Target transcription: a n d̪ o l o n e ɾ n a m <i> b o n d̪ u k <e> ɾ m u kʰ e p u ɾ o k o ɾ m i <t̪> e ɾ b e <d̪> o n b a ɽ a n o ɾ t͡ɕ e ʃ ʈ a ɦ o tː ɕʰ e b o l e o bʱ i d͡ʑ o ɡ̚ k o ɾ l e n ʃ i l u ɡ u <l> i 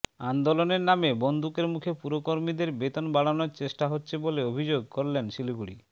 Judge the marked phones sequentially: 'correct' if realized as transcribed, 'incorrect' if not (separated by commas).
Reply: incorrect, correct, incorrect, incorrect, incorrect